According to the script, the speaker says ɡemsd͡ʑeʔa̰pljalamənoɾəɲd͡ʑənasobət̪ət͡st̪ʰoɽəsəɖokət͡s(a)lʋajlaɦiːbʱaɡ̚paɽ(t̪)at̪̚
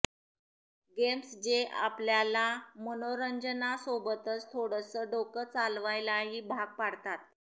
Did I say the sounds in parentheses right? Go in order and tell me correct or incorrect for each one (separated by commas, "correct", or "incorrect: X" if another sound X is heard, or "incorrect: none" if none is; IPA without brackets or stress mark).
correct, correct